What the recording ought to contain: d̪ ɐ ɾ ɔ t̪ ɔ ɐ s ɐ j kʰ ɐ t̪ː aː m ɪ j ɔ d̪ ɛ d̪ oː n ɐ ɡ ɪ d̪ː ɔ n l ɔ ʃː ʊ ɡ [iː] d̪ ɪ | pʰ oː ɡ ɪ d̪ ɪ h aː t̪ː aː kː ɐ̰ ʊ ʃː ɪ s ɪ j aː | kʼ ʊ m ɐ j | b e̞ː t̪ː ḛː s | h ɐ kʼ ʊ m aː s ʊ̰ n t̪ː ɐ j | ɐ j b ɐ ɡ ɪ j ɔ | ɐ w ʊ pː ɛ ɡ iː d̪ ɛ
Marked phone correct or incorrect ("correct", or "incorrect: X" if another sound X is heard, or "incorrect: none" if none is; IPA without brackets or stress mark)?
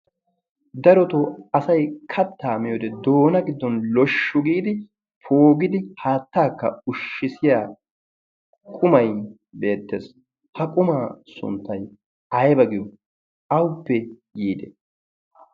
correct